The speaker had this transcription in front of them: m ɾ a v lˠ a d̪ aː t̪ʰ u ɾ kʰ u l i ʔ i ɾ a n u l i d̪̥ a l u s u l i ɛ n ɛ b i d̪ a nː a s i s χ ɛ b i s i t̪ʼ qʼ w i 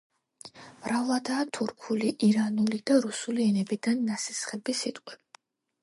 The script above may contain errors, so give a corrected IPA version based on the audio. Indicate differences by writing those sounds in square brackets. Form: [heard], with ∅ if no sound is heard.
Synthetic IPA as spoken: m ɾ a v lˠ a d̪ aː t̪ʰ u ɾ kʰ u l i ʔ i ɾ a n u l i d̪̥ a [ɾ] u s u l i ɛ n ɛ b i d̪ a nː a s i s χ ɛ b i s i t̪ʼ qʼ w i